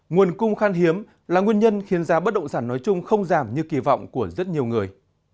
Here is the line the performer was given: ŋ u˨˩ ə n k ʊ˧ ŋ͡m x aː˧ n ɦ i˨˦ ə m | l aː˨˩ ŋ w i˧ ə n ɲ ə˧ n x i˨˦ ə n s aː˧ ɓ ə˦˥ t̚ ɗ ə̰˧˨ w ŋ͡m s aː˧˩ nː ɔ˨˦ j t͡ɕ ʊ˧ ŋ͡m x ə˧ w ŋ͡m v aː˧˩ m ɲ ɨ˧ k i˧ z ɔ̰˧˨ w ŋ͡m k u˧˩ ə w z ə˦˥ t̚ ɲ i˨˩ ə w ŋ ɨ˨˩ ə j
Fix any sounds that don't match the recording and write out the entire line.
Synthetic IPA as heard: ŋ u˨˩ ə n k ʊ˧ ŋ͡m x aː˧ n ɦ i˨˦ ə m | l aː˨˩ ŋ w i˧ ə n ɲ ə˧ n x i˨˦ ə n z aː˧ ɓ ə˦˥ t̚ ɗ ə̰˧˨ w ŋ͡m s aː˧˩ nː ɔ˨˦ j t͡ɕ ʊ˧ ŋ͡m x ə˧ w ŋ͡m z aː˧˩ m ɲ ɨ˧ k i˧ v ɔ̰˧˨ w ŋ͡m k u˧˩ ə z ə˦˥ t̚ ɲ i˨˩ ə w ŋ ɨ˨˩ ə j